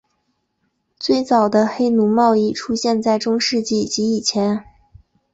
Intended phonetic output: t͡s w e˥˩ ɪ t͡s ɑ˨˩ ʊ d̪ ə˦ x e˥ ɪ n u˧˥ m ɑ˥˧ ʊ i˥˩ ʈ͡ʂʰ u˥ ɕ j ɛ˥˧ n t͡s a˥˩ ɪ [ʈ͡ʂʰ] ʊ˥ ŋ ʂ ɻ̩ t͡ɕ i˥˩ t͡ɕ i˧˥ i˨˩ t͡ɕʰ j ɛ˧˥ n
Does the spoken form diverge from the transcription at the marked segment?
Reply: yes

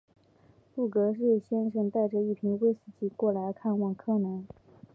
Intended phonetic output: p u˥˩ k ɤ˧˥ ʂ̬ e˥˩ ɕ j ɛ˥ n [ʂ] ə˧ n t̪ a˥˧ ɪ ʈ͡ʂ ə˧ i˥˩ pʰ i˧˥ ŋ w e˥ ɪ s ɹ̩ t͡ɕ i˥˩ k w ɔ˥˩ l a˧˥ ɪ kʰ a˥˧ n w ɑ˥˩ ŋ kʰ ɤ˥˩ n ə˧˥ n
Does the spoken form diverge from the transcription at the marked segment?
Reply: no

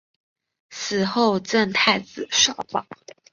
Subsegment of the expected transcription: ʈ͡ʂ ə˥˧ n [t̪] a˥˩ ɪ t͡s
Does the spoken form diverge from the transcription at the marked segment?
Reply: yes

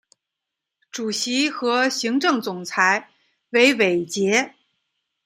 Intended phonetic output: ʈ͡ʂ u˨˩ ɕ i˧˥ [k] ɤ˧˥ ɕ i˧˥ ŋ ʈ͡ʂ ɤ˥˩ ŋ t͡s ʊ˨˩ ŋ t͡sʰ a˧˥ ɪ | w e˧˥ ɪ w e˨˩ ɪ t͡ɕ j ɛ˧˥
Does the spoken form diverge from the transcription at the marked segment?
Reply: yes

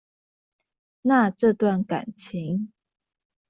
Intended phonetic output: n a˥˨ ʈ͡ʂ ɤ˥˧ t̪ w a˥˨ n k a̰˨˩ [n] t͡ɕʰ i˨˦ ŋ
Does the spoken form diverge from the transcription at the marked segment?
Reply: no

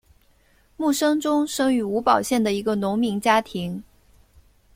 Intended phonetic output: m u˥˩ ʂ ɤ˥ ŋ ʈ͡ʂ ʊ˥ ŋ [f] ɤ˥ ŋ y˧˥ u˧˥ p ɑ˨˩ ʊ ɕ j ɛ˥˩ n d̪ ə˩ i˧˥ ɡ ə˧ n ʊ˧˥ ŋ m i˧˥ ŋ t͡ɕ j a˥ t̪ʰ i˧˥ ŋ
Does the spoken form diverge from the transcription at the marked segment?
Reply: yes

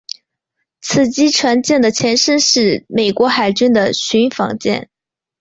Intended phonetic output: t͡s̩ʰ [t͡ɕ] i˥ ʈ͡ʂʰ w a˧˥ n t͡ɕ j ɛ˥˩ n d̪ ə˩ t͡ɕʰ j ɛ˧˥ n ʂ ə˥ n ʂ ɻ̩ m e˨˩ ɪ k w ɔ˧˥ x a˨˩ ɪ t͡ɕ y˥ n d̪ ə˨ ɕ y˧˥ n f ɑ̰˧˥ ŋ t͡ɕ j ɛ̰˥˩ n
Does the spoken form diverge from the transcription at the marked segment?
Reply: no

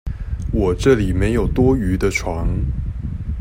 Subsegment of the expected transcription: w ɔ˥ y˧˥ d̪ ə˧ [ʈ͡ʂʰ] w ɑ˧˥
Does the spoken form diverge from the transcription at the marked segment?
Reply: no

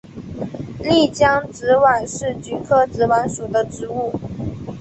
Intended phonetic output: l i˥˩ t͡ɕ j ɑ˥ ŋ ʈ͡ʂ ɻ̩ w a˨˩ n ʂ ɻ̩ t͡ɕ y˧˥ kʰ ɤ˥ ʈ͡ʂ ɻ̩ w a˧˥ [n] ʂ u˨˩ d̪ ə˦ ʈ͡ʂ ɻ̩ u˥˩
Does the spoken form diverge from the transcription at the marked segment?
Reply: no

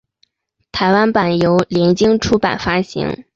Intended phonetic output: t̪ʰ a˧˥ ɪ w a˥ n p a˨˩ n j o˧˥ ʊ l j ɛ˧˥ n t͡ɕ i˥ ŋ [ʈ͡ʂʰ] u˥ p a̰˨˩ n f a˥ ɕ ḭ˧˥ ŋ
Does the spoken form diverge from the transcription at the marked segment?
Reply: no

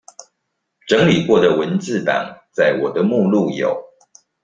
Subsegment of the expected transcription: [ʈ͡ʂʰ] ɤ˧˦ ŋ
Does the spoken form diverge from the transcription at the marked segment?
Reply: yes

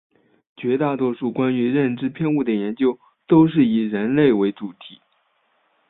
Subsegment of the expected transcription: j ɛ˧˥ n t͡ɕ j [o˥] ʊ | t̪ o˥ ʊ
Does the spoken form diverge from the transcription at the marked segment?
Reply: no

